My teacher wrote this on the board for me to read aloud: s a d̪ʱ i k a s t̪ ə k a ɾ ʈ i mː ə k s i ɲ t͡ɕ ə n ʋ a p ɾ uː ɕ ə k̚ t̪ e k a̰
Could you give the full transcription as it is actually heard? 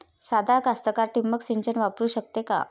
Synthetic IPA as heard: s a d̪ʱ a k a s t̪ ə k a ɾ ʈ i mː ə k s i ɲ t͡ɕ ə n ʋ a p ɾ uː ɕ ə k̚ t̪ e k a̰